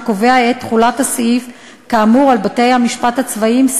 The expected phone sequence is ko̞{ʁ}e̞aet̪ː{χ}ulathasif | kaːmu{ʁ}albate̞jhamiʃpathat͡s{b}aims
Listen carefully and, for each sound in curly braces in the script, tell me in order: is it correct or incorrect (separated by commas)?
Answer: incorrect, correct, correct, incorrect